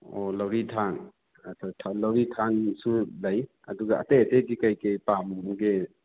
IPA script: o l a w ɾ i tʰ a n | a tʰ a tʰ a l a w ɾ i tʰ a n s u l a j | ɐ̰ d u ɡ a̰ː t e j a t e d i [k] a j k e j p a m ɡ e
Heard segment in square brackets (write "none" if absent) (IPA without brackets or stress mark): k